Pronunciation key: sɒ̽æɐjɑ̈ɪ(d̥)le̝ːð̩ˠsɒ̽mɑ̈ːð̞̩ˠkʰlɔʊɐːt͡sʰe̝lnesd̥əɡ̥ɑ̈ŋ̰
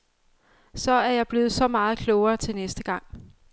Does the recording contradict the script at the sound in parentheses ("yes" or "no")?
yes